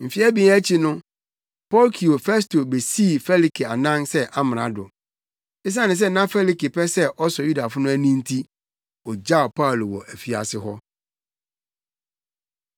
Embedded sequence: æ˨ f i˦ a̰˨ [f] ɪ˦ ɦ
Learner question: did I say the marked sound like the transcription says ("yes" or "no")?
no